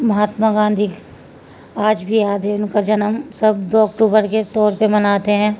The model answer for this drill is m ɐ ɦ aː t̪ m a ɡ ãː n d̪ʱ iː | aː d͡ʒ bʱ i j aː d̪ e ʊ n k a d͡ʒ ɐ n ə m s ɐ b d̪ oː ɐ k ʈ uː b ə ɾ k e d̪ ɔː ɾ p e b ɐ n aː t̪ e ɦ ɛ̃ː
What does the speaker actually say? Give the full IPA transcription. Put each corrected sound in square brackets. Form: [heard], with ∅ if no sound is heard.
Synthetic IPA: m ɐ ɦ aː t̪ m a ɡ ãː n d̪ʱ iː | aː d͡ʒ bʱ i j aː d̪ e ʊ n k a d͡ʒ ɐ n ə m s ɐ b d̪ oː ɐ k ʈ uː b ə ɾ k e [t̪] ɔː ɾ p e [m] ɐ n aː t̪ e ɦ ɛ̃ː